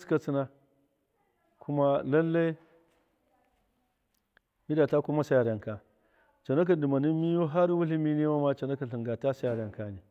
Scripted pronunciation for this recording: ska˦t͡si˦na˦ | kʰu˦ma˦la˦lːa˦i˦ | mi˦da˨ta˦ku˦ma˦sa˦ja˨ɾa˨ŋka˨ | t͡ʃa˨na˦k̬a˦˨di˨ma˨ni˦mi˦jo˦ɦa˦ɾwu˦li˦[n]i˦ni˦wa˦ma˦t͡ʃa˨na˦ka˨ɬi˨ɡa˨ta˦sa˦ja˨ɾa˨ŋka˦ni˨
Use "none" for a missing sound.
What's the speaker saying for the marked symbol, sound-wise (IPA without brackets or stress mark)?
m